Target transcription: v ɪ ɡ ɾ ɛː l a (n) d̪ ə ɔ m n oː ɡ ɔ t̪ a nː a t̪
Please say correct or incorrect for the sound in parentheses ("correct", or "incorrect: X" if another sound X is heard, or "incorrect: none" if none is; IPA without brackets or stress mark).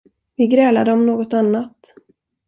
incorrect: none